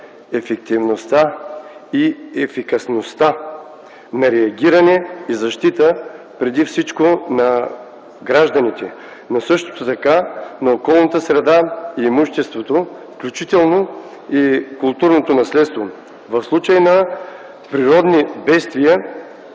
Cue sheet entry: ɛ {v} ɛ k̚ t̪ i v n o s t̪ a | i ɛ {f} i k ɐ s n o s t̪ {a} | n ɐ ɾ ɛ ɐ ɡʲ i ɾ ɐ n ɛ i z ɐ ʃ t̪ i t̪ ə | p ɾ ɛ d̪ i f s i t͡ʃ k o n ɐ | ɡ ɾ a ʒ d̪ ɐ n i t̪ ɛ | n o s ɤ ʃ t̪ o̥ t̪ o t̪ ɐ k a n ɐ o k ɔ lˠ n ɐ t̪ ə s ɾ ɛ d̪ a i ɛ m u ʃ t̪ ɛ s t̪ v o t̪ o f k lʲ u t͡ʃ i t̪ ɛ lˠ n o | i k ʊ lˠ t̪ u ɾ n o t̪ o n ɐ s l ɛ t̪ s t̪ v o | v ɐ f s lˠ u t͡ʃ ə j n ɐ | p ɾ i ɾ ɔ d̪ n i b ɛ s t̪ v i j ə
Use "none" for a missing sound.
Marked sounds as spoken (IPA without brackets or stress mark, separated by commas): f, f, a